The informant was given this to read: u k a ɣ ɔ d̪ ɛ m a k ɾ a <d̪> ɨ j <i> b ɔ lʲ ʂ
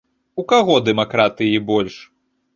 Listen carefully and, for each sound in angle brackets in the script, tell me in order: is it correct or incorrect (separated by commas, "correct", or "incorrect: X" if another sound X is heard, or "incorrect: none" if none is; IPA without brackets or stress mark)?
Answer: incorrect: t̪, correct